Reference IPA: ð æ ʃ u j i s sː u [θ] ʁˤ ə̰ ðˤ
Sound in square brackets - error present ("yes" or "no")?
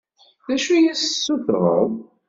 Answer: no